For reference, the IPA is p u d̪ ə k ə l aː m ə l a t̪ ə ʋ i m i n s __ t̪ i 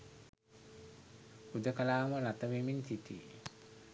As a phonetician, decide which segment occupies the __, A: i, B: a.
A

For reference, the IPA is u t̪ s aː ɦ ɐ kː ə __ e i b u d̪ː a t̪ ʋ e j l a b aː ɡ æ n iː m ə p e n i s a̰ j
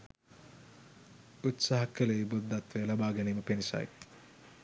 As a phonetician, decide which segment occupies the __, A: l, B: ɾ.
A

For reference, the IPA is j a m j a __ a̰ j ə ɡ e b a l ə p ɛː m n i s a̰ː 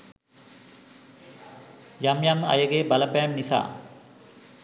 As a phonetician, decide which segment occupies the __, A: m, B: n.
A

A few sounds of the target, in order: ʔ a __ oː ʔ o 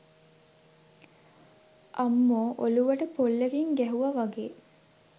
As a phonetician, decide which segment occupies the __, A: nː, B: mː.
B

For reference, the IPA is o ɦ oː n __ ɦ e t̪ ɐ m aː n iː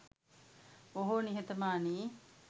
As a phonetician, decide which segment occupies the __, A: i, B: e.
A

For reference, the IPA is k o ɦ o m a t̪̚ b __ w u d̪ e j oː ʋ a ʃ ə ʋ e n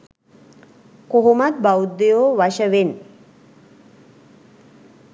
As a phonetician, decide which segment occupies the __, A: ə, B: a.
B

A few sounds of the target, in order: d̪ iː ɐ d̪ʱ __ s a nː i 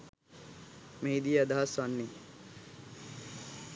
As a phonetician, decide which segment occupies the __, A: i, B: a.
B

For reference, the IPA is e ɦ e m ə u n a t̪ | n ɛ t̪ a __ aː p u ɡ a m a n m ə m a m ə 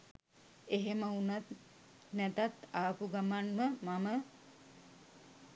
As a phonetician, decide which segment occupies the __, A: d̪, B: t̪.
B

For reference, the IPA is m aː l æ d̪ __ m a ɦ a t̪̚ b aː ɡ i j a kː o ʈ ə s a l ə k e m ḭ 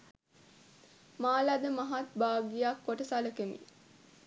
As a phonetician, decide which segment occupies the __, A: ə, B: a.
A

